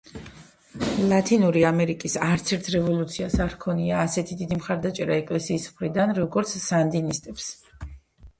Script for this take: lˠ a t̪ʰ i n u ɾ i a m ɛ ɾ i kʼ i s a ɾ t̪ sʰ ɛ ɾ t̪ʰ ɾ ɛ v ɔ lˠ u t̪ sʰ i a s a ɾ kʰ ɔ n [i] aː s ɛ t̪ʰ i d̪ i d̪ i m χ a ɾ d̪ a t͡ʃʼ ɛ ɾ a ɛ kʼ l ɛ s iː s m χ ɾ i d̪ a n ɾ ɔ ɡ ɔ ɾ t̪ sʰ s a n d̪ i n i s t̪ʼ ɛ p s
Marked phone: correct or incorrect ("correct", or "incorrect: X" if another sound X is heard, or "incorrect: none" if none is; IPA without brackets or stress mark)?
correct